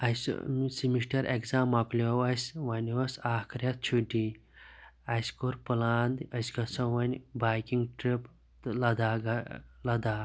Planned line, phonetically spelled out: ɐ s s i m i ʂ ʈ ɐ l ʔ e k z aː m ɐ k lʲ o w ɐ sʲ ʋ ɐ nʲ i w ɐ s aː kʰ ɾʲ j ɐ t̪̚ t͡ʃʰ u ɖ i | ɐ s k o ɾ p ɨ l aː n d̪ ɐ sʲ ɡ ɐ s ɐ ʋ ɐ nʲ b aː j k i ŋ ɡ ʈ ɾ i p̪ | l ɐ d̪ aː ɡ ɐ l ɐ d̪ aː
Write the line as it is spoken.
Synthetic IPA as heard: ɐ s s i m i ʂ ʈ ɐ ɾ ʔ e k z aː m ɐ k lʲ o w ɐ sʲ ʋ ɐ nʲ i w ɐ s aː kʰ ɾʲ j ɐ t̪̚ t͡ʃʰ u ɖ i | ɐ s k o ɾ p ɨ l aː n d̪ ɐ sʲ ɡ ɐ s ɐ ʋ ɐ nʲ b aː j k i ŋ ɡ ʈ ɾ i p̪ | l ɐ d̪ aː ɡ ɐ l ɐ d̪ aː

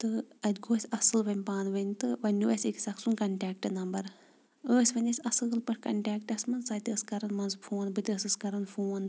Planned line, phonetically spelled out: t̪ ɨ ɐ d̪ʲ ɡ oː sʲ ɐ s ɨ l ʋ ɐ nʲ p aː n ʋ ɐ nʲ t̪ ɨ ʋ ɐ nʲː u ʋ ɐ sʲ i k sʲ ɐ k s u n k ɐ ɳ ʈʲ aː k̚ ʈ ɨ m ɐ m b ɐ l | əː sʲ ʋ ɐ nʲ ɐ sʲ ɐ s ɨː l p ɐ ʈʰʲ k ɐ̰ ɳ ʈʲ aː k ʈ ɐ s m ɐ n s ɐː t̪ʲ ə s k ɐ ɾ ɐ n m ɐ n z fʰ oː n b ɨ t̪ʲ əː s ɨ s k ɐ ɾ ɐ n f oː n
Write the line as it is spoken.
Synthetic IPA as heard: t̪ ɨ ɐ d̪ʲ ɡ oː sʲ ɐ s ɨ l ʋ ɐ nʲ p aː n ʋ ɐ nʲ t̪ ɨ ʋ ɐ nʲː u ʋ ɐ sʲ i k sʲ ɐ k s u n k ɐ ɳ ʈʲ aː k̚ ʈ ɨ n ɐ m b ɐ ɾ | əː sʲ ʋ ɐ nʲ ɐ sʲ ɐ s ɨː l p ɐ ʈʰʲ k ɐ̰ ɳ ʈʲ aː k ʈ ɐ s m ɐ n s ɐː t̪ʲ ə s k ɐ ɾ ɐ n m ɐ n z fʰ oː n b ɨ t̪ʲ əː s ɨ s k ɐ ɾ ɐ n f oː n

